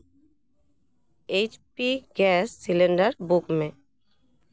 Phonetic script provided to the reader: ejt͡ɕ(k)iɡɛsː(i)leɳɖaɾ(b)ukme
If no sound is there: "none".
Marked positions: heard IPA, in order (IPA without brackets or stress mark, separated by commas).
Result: p, i, b